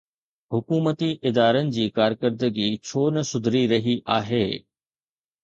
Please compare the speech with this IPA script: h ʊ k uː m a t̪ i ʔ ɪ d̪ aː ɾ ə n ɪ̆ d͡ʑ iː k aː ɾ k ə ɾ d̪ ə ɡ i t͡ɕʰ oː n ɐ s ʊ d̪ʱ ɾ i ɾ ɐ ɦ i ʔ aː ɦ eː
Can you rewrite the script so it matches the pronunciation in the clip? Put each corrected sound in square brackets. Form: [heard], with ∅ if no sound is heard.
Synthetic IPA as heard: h ʊ k uː m [ə] t̪ i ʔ ɪ d̪ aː ɾ ə n ɪ̆ d͡ʑ iː k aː ɾ k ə ɾ d̪ ə ɡ i t͡ɕʰ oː n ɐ s ʊ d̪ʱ ɾ i ɾ ɐ ɦ i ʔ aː ɦ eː